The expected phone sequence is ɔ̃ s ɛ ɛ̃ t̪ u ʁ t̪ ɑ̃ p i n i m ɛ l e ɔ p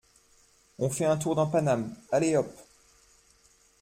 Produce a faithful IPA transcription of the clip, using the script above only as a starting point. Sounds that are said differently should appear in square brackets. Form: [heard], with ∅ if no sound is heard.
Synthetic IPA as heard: ɔ̃ [f] ɛ ɛ̃ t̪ u ʁ [d̪] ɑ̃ p [a] n [a] m [a] l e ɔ p